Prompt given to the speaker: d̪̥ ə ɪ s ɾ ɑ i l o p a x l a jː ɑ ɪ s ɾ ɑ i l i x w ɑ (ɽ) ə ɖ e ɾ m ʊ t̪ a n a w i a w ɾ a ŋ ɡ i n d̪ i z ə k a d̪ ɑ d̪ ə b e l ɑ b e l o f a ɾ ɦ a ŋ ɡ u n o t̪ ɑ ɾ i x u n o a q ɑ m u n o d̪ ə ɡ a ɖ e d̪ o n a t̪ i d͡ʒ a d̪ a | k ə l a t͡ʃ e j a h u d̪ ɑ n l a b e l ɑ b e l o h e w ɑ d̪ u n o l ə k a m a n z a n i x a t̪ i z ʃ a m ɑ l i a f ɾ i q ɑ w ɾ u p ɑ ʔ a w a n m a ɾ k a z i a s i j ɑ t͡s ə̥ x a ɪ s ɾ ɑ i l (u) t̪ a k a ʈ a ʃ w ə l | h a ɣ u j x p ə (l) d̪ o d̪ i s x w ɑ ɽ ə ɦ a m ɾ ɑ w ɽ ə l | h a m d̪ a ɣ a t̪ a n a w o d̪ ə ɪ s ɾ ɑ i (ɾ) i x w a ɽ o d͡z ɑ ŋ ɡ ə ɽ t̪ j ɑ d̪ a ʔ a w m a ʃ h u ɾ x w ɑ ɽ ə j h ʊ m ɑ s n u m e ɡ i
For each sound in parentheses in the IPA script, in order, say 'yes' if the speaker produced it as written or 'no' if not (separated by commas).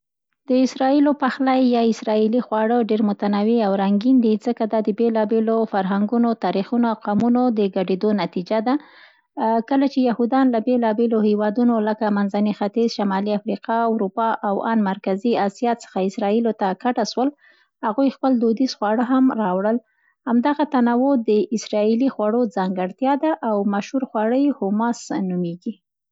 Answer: yes, no, yes, no